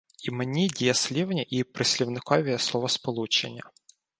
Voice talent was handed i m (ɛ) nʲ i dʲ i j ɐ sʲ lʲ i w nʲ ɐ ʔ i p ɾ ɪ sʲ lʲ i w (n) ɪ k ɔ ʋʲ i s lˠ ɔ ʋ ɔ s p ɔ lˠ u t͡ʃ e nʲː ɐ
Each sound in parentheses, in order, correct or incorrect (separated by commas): incorrect, correct